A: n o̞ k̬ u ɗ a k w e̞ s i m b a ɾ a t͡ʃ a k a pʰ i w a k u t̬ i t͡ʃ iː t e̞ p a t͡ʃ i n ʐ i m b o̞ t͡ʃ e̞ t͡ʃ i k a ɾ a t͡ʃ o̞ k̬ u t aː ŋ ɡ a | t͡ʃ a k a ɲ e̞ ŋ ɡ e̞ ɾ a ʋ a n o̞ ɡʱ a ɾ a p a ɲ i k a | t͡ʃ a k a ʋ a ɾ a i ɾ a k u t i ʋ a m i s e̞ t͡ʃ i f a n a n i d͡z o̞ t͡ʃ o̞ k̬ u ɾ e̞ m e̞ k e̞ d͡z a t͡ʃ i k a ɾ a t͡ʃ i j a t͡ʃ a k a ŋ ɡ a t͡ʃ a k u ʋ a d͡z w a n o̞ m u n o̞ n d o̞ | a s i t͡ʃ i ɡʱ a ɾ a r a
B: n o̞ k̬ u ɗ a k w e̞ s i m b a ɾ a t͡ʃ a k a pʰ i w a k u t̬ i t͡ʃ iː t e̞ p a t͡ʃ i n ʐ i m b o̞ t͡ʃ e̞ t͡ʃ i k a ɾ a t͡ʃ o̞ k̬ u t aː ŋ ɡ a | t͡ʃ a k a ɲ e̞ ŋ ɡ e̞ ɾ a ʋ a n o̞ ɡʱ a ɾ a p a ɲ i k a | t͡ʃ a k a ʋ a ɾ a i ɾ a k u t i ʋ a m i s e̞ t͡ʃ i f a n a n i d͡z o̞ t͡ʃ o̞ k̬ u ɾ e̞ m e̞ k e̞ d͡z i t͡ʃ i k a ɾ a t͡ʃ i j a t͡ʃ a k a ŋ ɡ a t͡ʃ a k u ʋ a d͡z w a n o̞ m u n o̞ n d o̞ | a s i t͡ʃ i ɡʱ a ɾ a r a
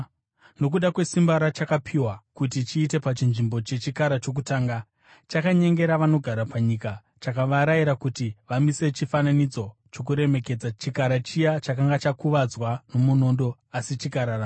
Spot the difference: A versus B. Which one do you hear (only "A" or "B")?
A